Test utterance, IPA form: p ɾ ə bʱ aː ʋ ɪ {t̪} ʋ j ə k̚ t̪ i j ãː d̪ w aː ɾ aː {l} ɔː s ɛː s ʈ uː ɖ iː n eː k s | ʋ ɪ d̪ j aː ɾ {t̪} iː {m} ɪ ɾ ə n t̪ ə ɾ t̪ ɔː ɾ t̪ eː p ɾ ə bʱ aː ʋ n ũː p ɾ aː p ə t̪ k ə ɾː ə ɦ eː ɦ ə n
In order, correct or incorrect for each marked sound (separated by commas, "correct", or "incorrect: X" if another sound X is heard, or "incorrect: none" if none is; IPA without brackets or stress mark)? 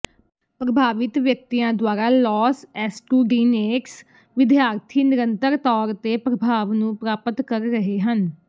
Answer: correct, correct, incorrect: t̪ʰ, incorrect: n